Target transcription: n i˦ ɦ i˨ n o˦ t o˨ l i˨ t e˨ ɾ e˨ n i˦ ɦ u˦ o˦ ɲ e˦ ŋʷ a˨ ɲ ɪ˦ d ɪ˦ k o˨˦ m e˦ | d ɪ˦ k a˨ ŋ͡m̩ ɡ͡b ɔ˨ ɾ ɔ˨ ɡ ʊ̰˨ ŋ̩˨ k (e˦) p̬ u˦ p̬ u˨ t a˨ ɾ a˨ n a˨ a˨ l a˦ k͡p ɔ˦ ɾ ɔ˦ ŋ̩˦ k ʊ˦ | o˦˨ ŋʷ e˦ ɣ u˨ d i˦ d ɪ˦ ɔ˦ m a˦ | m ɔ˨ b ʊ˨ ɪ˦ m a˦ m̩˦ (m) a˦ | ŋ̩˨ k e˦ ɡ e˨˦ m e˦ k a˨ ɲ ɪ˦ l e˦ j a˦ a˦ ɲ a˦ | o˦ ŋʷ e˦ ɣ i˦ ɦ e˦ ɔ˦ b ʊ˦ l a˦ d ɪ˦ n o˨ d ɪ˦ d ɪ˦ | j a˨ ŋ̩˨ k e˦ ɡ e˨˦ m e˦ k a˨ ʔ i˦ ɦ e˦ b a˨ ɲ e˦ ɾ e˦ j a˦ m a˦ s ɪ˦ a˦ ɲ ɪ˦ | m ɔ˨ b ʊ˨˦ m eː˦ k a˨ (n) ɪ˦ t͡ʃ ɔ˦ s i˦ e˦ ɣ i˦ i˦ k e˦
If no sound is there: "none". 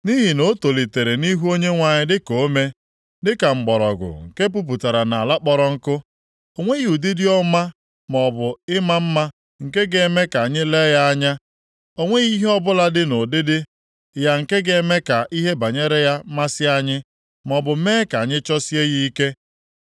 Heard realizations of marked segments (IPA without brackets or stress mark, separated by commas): e˦, m, ɲ